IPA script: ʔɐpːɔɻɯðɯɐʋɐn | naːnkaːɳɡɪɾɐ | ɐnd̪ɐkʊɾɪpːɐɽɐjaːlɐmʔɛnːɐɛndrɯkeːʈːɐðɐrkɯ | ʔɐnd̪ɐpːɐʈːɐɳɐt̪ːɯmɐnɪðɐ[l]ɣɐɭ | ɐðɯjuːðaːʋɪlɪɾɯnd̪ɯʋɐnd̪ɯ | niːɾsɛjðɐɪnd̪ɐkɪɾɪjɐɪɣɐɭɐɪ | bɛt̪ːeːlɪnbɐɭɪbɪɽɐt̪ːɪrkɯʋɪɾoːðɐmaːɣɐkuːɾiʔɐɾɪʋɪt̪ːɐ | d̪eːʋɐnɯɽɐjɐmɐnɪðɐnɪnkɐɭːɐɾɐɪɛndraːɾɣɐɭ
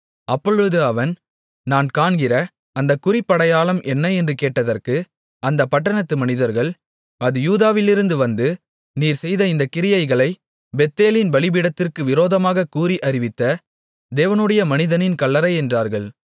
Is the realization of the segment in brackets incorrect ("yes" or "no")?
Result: yes